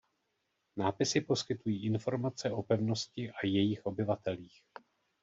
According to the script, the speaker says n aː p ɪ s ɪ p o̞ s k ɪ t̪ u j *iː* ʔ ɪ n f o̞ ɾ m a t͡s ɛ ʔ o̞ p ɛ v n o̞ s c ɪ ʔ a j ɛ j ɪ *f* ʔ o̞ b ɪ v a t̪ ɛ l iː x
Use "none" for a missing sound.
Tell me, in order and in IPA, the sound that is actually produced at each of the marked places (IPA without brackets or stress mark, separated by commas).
iː, x